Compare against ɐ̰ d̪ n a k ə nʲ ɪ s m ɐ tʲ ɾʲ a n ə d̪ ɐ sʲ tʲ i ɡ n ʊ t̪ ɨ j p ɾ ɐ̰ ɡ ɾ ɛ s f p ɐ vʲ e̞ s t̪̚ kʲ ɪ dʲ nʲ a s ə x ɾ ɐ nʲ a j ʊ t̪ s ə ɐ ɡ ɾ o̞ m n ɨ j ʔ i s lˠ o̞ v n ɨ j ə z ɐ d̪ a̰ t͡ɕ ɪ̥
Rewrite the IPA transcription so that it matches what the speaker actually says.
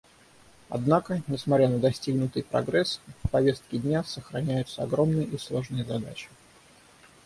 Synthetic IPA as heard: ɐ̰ d̪ n a k ə nʲ ɪ s m ɐ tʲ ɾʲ a n ə d̪ ɐ sʲ tʲ i ɡ n ʊ t̪ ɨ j p ɾ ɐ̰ ɡ ɾ ɛ s f p ɐ vʲ e̞ s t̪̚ kʲ ɪ dʲ nʲ a s ə x ɾ ɐ nʲ æ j ʊ t̪ s ə ɐ ɡ ɾ o̞ m n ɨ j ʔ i s lˠ o̞ ʐ n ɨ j ə z ɐ d̪ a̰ t͡ɕ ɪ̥